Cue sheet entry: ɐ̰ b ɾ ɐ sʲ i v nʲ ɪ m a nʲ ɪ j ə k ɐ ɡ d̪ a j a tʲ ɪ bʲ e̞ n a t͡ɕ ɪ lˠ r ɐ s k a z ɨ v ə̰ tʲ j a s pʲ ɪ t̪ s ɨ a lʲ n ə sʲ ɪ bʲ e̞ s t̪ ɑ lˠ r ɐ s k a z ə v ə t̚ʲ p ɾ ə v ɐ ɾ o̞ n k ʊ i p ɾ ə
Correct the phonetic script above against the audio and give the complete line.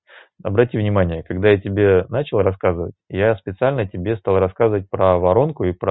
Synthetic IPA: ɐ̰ b ɾ ɐ tʲ i v nʲ ɪ m a nʲ ɪ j ə k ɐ ɡ d̪ a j a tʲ ɪ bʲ e̞ n a t͡ɕ ɪ lˠ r ɐ s k a z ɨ v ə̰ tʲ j a s pʲ ɪ t̪ s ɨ a lʲ n ə tʲ ɪ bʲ e̞ s t̪ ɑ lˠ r ɐ s k a z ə v ə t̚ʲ p ɾ ə v ɐ ɾ o̞ n k ʊ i p ɾ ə